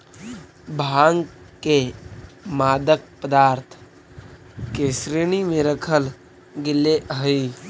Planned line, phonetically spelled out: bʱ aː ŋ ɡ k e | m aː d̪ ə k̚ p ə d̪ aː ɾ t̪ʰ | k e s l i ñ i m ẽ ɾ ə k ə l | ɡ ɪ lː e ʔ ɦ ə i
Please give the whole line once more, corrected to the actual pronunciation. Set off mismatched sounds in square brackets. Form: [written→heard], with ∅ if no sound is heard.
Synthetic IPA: bʱ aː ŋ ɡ k e | m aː d̪ ə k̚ p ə d̪ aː ɾ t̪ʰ | k e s [l→ɾ] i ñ i m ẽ ɾ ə [k→kʰ] ə l | ɡ ɪ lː e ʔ ɦ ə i

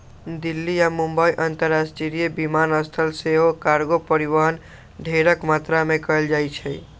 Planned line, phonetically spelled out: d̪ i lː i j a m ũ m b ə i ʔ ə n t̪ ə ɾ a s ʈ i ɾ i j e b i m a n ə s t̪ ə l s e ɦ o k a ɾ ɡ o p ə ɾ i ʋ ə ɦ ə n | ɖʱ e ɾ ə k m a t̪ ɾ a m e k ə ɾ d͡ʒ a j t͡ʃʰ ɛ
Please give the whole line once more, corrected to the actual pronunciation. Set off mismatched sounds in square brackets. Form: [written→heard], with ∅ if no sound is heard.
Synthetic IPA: d̪ i lː i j a m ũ m b ə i ʔ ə n t̪ ə ɾ a s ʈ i ɾ i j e b i m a n ə s [t̪→t̪ʰ] ə l s e ɦ o k a ɾ ɡ o p ə ɾ i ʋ ə ɦ ə n | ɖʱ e ɾ ə k m a t̪ ɾ a m e k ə [ɾ→l] d͡ʒ a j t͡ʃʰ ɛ

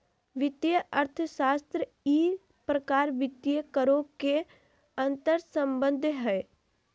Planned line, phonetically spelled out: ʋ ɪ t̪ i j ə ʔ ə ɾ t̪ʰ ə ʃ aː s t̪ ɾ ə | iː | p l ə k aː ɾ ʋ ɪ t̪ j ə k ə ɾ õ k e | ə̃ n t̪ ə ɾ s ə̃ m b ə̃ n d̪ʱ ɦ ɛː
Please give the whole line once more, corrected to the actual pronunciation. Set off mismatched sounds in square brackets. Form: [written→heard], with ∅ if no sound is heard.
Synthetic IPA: ʋ ɪ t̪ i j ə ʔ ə ɾ t̪ʰ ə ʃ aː s t̪ ɾ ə | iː | p [l→ɾ] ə k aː ɾ ʋ ɪ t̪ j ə k ə ɾ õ k e | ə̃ n t̪ ə ɾ s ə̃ m b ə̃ n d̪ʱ ɦ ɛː

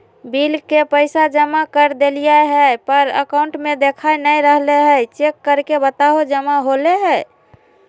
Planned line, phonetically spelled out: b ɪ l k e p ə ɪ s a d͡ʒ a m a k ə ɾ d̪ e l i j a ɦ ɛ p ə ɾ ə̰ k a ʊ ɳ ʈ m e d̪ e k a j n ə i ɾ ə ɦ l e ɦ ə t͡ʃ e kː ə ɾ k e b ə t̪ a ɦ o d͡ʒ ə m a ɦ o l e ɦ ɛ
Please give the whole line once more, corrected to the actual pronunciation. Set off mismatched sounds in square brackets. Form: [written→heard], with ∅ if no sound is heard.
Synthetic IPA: b [ɪ→i] l k e p ə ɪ s a d͡ʒ [a→ə] m a k ə ɾ d̪ e l i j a ɦ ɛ p ə ɾ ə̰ k a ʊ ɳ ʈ m e d̪ e [k→kʰ] a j n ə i ɾ ə ɦ l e ɦ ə t͡ʃ e kː ə ɾ k e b ə t̪ a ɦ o d͡ʒ ə m a ɦ o l e ɦ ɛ

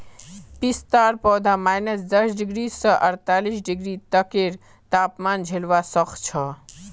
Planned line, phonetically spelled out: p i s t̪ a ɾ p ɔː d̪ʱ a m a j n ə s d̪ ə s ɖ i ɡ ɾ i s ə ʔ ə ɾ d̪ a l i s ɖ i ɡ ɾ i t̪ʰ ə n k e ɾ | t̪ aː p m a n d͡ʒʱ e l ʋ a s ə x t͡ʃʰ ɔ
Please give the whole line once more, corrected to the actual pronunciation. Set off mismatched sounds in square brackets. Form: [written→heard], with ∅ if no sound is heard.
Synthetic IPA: p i s t̪ a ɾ p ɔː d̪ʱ a m a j n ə s d̪ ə s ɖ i ɡ ɾ i s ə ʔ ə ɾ [d̪→t̪] a l i s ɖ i ɡ ɾ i [t̪ʰ→t̪] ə [n→∅] k e ɾ | t̪ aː p m a n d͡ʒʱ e l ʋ a s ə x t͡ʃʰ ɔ

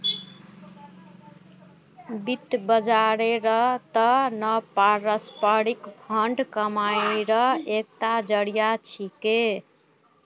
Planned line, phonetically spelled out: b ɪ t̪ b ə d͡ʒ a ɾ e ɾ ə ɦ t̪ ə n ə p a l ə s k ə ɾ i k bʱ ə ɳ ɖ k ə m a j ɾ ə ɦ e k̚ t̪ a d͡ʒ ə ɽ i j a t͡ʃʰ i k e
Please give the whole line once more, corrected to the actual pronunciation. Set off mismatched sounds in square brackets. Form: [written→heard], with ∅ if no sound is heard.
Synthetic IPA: b [ɪ→i] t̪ b ə d͡ʒ a ɾ e ɾ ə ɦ t̪ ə n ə p a [l→ɾ] ə s [k→p] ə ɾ i k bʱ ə ɳ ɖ k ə m a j ɾ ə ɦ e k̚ t̪ a d͡ʒ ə ɽ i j a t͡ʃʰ i k e

